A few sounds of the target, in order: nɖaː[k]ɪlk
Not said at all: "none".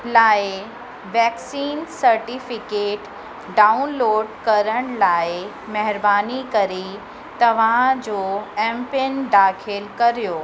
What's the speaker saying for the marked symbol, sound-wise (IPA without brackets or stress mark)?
kʰ